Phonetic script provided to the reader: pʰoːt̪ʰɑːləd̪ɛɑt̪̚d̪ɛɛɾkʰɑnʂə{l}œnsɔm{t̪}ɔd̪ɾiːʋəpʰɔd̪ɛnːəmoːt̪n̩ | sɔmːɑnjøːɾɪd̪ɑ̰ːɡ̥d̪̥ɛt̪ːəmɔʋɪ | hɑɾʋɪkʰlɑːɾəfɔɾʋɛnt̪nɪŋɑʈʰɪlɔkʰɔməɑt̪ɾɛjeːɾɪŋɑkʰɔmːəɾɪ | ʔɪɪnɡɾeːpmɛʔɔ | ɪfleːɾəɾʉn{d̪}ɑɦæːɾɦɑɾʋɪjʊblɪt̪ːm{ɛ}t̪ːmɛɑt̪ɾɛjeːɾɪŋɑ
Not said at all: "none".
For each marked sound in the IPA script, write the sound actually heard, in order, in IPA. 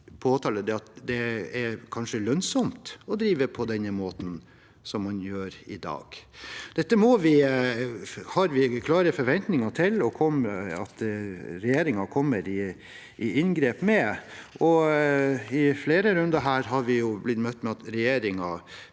l, t̪, d̪, œ

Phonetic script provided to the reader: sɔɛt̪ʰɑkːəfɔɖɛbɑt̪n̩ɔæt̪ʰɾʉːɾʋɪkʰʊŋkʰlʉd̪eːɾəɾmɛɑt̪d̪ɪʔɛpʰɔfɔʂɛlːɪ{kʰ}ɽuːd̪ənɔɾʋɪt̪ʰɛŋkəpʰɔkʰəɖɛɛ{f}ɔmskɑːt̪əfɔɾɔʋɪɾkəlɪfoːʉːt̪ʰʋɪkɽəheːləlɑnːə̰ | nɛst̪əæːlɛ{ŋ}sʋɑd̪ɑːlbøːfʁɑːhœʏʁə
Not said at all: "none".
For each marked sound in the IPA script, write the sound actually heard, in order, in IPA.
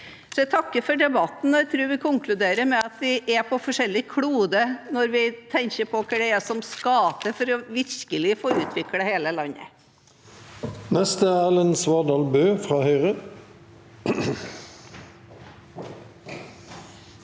kʰ, s, n

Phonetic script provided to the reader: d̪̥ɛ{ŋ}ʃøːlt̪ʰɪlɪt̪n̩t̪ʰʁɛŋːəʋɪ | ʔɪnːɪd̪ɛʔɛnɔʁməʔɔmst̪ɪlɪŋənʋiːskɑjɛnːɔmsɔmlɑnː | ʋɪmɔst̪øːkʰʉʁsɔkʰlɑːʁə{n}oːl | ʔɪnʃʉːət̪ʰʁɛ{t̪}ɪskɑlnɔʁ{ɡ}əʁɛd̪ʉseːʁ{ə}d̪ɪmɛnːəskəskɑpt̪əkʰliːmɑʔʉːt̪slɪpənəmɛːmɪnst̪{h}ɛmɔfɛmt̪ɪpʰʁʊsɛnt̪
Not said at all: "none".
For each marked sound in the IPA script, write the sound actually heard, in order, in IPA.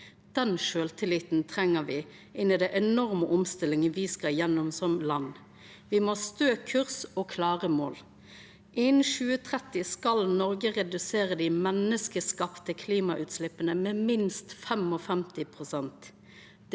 n, m, t̪, ɡ, ə, f

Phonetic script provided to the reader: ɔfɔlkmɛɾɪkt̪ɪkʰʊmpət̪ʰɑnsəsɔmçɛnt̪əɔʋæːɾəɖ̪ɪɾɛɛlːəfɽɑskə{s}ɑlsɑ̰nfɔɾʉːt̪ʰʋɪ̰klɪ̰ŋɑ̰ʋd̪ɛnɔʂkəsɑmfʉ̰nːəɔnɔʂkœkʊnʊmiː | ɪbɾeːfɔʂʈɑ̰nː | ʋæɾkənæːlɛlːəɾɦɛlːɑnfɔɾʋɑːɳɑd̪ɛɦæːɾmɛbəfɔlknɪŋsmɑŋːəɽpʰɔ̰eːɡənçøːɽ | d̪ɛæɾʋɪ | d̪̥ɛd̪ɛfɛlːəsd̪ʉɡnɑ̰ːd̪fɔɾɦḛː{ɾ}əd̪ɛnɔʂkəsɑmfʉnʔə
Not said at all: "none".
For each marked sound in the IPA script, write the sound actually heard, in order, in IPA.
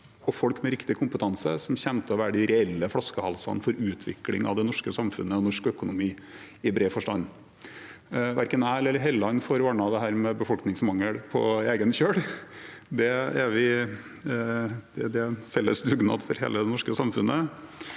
h, l

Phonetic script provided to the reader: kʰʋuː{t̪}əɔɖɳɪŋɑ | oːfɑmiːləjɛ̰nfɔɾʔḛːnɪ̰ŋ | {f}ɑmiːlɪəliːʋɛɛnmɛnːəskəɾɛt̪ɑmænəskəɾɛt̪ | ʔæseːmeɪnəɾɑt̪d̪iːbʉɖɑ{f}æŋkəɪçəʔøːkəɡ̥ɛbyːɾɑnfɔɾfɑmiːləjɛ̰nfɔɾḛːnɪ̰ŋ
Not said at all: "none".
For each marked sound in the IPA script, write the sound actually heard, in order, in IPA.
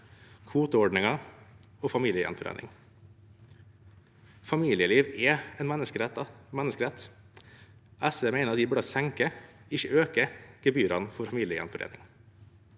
t̪, f, s

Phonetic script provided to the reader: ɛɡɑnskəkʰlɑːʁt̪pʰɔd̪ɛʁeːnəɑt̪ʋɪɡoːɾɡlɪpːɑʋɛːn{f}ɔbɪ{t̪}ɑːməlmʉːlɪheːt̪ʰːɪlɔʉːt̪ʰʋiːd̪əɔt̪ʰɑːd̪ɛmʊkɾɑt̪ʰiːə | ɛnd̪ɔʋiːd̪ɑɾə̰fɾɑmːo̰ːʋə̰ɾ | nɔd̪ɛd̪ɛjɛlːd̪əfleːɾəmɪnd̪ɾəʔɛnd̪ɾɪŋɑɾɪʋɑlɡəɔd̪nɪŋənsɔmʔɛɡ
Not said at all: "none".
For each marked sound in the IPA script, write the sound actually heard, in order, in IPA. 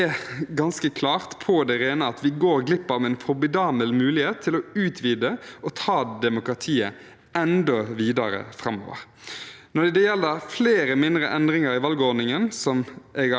f, d̪

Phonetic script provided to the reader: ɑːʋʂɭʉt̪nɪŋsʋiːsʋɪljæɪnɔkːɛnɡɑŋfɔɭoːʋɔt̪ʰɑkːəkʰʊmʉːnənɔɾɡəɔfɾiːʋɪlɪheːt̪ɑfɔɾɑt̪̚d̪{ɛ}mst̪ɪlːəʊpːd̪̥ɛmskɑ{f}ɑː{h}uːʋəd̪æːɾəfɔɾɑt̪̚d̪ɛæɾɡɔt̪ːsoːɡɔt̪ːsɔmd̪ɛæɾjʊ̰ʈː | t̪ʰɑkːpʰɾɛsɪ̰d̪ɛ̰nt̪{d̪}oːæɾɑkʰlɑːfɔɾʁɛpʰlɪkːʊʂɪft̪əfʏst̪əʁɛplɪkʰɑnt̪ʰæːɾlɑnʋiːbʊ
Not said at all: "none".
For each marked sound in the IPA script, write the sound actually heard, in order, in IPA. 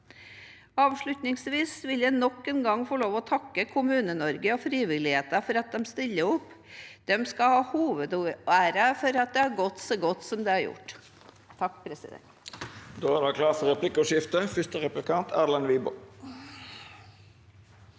ɛ, h, h, d̪

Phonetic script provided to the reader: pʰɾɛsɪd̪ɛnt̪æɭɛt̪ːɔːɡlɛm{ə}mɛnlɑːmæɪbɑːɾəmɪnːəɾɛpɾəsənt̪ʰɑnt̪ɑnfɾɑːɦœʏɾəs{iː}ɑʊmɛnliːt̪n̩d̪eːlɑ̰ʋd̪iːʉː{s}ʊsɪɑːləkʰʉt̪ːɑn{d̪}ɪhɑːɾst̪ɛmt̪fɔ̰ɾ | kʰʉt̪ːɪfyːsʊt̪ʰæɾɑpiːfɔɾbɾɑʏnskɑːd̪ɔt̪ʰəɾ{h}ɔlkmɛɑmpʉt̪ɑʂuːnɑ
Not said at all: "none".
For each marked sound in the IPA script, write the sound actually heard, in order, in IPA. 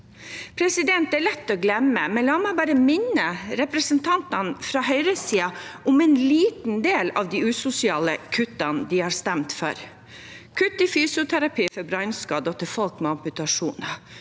ə, iː, s, d̪, f

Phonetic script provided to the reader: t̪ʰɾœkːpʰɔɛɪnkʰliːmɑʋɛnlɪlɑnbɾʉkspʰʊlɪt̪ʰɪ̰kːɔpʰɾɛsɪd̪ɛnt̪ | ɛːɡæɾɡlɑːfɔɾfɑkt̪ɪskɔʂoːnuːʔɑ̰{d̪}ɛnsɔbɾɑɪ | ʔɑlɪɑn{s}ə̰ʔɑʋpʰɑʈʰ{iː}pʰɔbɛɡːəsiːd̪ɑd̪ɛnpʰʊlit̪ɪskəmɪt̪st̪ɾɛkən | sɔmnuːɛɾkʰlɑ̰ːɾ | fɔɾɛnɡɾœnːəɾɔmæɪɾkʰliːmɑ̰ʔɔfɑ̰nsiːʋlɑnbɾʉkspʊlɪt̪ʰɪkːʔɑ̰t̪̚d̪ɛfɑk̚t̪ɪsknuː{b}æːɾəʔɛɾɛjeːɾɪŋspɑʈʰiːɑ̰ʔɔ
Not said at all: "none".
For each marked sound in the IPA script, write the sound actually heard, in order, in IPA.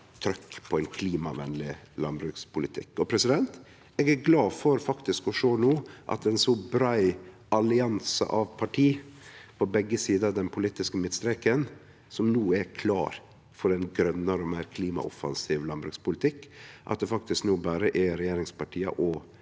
t̪, s, iː, b

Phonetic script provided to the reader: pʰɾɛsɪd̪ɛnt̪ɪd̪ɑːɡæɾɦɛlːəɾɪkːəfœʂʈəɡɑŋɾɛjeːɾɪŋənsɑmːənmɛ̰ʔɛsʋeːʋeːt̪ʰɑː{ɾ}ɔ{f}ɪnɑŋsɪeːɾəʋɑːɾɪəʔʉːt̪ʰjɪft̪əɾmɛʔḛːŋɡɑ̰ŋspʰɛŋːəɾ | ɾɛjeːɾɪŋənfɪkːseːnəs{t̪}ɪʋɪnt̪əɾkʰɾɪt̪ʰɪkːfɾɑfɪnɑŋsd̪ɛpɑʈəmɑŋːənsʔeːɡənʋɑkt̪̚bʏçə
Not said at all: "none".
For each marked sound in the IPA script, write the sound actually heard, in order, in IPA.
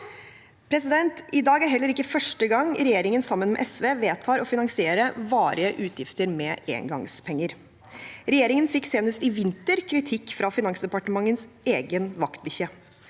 ɾ, f, t̪

